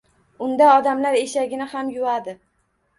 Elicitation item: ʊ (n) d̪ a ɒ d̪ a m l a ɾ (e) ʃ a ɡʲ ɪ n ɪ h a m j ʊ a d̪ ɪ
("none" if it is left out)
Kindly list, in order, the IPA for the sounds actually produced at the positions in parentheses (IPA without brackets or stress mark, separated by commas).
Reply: n, e